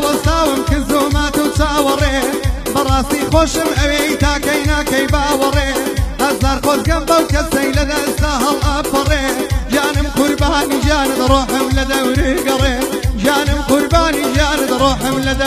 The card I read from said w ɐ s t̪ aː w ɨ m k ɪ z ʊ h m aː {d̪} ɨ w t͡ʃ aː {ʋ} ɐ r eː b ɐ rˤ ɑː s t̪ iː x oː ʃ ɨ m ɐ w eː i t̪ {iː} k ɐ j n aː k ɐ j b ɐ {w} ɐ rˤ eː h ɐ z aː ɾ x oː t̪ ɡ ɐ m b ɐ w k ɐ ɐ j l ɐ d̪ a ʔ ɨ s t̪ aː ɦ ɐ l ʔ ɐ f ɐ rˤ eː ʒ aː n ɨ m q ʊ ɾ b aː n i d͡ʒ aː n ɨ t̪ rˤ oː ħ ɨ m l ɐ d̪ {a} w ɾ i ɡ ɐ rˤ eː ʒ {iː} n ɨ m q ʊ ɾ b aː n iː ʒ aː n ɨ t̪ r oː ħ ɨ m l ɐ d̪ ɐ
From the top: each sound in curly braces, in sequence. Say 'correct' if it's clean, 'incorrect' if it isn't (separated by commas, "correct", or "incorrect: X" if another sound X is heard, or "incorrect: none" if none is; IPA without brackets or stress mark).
incorrect: t̪, incorrect: w, incorrect: aː, correct, incorrect: ɐ, incorrect: aː